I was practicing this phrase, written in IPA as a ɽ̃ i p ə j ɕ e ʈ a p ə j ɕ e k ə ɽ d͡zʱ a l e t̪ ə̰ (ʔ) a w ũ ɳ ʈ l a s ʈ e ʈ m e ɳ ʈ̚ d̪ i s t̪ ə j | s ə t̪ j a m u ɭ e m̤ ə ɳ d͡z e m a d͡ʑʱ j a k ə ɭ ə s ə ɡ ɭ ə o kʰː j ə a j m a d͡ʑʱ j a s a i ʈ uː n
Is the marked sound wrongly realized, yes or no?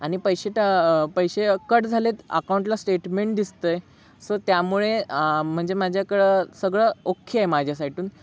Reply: yes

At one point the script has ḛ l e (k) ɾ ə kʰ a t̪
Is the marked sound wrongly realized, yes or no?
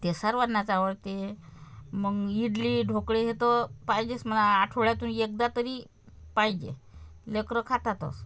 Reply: no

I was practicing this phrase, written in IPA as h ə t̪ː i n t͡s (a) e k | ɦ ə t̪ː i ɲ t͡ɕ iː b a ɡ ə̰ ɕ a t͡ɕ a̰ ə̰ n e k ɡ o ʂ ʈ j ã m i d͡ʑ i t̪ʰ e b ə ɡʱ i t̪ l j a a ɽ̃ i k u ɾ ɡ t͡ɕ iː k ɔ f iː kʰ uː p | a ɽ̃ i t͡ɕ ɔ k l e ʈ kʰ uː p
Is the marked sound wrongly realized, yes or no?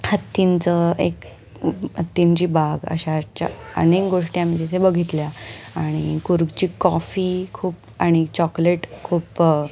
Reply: yes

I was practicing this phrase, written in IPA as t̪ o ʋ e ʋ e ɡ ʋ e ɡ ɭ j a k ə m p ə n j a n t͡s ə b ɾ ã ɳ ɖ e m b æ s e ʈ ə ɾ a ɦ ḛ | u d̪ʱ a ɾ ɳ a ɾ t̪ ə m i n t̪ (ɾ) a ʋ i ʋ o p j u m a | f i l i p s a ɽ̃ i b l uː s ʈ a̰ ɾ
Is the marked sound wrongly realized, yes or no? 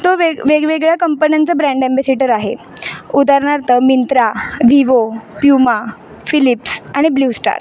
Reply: no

